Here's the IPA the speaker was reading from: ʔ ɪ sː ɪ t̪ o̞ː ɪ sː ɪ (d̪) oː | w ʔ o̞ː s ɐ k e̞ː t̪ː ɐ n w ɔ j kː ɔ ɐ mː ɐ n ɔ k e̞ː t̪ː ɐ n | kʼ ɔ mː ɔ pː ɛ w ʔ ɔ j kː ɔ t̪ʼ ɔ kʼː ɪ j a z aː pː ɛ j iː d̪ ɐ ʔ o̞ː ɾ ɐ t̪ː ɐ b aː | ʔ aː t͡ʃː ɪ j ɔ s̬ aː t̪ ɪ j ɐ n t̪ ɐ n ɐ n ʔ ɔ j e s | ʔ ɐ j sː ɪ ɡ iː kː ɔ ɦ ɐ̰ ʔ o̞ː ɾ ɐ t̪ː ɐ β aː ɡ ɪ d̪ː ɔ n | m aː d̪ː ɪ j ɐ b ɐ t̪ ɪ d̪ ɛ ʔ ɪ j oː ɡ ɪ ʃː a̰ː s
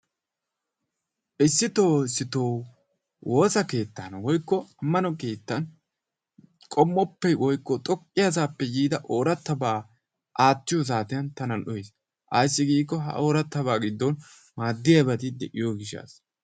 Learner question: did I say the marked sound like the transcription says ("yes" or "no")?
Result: no